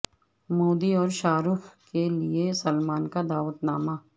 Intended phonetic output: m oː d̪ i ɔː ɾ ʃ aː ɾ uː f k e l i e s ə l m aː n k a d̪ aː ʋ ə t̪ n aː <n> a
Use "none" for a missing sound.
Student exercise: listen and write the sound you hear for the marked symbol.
m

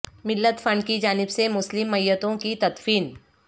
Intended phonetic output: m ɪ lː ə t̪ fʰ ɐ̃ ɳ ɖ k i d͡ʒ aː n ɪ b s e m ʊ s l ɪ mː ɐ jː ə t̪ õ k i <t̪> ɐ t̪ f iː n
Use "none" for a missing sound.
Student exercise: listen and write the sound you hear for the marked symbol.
t̪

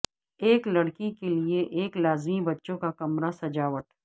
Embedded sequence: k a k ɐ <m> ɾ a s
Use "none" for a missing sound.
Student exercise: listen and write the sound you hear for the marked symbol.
m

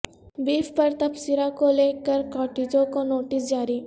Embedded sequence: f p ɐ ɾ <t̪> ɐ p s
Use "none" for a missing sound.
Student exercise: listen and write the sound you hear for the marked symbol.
t̪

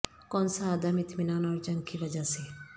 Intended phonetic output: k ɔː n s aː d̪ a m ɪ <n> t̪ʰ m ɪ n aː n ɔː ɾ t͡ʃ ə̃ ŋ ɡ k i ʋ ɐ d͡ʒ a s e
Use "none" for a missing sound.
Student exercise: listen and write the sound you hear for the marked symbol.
none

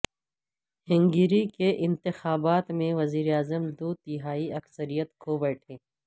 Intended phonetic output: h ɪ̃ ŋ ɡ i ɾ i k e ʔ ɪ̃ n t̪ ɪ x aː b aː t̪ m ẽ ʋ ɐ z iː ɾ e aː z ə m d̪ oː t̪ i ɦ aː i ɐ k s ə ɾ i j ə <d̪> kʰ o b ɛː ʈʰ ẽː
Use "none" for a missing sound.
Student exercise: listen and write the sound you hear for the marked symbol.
t̪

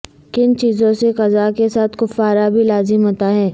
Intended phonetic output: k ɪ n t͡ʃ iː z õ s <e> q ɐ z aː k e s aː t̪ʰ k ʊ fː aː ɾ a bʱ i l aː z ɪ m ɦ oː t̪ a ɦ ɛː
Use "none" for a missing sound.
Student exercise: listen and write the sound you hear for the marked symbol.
e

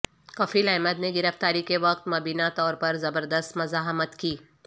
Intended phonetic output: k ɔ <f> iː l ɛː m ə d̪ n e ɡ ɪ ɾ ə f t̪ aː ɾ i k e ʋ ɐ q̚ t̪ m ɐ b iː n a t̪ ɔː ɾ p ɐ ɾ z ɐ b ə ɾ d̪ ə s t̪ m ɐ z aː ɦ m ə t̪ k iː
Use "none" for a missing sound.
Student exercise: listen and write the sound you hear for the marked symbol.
f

